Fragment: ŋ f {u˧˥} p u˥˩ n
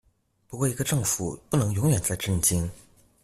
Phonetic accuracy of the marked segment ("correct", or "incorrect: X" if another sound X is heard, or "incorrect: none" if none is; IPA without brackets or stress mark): incorrect: u˨˩